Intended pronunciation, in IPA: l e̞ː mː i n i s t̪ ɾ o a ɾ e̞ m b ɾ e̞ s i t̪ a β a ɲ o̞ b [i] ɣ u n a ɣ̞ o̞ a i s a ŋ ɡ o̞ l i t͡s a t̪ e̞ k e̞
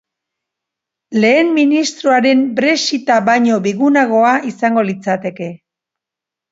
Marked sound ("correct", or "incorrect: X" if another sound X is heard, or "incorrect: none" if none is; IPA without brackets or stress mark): correct